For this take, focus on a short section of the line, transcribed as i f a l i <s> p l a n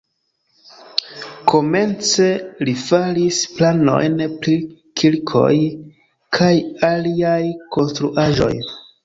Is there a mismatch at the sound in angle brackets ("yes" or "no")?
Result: no